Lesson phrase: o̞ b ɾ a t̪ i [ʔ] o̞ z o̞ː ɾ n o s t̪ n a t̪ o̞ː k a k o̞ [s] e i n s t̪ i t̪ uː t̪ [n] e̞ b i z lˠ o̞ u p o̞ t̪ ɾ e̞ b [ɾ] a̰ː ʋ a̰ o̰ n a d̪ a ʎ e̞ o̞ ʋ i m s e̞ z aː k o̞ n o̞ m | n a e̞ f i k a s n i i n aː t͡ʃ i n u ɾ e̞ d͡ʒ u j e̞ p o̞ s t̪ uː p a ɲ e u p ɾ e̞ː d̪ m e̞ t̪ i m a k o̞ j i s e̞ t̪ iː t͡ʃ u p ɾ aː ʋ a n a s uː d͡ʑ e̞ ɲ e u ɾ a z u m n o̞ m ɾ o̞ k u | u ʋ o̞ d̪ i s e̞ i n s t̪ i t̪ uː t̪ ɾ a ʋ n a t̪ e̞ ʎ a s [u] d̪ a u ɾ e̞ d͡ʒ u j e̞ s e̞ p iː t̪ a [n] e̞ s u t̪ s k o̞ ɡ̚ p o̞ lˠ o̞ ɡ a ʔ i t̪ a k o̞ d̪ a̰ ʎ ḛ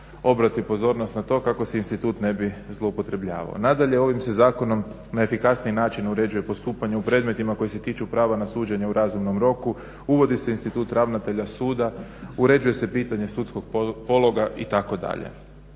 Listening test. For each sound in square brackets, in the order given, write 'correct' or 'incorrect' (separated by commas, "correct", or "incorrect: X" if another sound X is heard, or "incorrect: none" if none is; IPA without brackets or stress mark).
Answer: incorrect: p, correct, correct, incorrect: ʎ, incorrect: uː, incorrect: ɲ